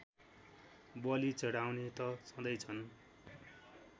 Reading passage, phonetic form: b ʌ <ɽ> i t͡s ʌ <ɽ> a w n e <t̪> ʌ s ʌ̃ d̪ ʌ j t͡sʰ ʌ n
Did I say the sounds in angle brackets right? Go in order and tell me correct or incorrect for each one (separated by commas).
incorrect, correct, correct